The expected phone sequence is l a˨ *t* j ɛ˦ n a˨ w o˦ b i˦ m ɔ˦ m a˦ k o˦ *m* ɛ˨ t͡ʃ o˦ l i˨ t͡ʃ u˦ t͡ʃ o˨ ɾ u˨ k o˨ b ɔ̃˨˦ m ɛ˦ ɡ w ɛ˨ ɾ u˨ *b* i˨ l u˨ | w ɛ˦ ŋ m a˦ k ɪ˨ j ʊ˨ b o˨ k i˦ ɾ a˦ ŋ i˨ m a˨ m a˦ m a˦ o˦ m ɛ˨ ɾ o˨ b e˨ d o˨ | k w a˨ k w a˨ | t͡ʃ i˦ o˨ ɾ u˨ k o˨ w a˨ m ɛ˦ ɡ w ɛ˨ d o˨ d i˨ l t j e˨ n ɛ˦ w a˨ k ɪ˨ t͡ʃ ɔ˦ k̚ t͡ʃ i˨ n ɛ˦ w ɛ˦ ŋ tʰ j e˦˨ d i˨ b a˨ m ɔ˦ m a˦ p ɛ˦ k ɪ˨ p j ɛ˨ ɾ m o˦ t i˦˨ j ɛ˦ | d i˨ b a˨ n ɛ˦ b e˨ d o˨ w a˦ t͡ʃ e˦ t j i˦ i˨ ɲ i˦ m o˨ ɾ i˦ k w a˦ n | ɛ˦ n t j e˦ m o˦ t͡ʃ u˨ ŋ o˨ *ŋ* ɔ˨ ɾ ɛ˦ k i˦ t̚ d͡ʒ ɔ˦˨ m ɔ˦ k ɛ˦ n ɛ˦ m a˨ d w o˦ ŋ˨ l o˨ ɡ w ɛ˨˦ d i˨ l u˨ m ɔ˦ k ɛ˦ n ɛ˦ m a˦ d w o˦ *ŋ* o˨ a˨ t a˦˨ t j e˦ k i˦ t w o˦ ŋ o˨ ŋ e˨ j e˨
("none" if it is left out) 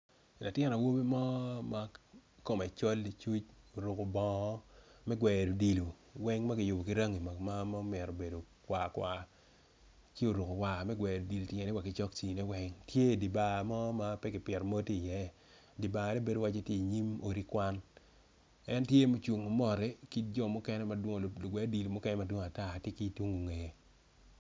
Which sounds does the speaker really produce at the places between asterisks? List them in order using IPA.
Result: t, m, d, m, ŋ

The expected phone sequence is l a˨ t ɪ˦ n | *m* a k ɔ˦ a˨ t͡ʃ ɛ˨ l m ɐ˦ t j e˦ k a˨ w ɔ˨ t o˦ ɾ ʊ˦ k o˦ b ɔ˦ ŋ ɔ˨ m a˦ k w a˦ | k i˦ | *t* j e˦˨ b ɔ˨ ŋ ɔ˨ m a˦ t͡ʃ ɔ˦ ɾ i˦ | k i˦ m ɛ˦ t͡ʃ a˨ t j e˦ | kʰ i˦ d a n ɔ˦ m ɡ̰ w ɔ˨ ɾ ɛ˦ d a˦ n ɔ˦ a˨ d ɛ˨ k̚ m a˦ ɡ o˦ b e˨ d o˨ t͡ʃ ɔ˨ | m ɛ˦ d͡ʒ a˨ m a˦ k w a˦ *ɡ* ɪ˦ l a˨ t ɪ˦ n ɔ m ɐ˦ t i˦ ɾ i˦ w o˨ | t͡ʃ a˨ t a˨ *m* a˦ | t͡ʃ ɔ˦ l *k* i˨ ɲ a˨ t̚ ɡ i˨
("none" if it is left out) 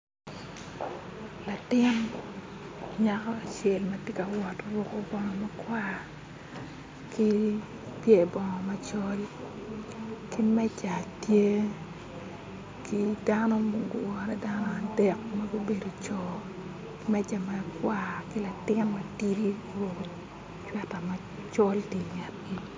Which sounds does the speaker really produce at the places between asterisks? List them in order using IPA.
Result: ɲ, p, k, m, t

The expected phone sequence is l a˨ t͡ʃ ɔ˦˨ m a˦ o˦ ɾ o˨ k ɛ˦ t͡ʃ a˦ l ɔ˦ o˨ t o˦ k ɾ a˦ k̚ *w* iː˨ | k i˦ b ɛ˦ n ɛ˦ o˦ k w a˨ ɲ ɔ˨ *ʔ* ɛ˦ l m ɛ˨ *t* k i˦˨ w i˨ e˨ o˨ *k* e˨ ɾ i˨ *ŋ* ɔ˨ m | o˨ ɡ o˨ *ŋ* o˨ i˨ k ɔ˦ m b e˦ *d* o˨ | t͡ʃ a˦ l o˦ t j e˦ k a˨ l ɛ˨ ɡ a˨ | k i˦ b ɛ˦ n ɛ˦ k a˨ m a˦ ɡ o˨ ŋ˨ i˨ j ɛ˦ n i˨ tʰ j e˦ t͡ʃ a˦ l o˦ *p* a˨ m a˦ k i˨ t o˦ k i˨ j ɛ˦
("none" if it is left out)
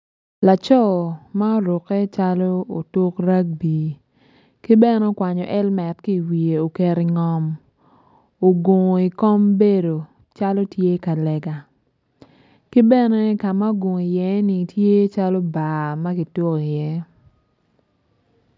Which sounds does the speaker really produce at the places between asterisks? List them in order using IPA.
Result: b, ʔ, t, k, ŋ, ŋ, d, b

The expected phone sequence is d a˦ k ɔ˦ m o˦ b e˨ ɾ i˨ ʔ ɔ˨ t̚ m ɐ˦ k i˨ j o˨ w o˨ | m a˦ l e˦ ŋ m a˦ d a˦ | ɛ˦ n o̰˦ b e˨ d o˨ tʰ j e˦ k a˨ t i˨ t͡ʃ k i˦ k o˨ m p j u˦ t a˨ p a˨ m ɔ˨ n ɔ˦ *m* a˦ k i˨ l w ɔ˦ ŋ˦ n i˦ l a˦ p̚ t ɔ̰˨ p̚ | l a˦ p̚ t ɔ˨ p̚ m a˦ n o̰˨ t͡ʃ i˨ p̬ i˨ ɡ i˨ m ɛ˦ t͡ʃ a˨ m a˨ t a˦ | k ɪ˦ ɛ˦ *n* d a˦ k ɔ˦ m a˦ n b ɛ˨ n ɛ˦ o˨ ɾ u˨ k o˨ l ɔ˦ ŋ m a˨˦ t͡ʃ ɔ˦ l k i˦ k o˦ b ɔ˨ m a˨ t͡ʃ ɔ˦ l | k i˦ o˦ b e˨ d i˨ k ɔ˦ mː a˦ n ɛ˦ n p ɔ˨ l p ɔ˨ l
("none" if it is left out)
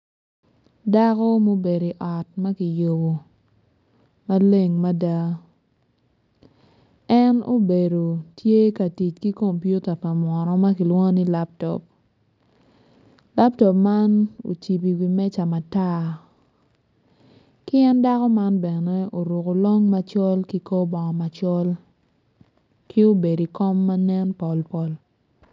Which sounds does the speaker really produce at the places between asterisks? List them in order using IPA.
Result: m, n

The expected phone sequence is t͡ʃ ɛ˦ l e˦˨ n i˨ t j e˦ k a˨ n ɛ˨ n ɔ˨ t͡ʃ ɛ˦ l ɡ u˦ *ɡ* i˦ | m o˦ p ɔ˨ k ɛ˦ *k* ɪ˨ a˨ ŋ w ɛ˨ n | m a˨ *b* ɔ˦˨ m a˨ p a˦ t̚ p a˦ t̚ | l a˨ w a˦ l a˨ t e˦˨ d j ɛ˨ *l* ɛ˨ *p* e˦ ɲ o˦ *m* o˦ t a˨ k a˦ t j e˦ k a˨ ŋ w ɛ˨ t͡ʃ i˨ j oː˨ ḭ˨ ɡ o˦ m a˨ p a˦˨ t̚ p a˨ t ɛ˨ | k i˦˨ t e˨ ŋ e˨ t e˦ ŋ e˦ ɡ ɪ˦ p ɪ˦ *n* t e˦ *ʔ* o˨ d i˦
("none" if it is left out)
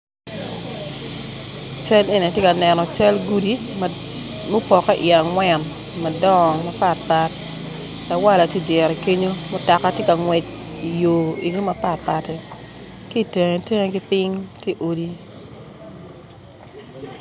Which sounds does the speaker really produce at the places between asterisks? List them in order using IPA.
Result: d, ʔ, d, ɾ, k, m, ŋ, ʔ

